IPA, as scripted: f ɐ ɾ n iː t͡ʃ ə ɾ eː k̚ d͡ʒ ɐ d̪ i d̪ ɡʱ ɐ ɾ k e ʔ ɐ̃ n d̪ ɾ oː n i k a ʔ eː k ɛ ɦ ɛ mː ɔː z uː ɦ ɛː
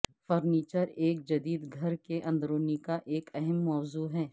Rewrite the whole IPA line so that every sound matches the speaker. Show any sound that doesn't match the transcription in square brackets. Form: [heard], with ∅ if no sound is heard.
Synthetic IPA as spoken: f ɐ ɾ n iː t͡ʃ ə ɾ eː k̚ d͡ʒ ɐ d̪ [iː] d̪ ɡʱ ɐ ɾ k e ʔ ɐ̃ n d̪ ɾ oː n i k a ʔ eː k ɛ ɦ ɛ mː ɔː z uː ɦ ɛː